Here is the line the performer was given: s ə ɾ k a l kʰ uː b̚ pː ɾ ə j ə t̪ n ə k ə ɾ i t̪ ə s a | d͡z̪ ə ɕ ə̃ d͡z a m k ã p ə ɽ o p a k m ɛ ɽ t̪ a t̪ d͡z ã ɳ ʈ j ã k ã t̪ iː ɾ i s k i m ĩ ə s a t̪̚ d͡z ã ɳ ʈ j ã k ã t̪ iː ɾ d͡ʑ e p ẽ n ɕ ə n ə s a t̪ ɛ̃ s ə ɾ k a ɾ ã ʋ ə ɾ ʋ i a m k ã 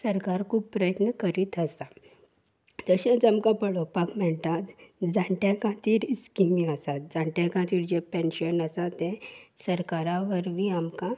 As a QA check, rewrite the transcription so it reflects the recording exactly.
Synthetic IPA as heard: s ə ɾ k a ɾ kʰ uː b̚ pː ɾ ə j ə t̪ n ə k ə ɾ i t̪ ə s a | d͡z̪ ə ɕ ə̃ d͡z a m k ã p ə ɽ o p a k m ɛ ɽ t̪ a t̪ d͡z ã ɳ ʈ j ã k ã t̪ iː ɾ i s k i m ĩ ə s a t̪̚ d͡z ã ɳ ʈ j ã k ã t̪ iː ɾ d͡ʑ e p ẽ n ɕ ə n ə s a t̪ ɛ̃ s ə ɾ k a ɾ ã ʋ ə ɾ ʋ i a m k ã